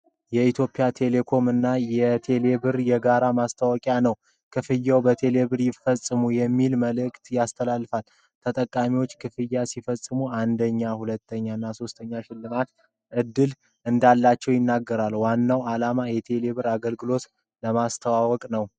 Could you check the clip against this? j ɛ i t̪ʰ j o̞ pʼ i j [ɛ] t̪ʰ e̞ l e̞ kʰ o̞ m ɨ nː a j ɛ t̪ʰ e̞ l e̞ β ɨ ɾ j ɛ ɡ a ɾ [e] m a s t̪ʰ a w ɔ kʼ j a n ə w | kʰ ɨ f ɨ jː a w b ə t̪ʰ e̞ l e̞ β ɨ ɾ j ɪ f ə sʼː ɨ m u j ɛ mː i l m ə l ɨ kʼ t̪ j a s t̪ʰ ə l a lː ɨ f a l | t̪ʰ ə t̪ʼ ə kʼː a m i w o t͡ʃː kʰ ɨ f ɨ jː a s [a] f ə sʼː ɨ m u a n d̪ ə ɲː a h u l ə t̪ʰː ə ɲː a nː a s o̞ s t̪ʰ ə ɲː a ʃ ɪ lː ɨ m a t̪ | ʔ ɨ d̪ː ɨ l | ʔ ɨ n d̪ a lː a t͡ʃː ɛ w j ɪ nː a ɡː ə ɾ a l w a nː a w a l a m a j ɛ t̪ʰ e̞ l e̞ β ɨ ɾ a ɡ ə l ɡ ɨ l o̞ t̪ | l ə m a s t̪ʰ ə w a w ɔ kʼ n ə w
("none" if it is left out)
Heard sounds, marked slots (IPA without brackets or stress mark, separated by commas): a, a, i